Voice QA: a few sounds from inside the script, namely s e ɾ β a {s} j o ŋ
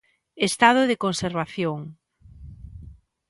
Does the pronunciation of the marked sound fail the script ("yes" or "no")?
yes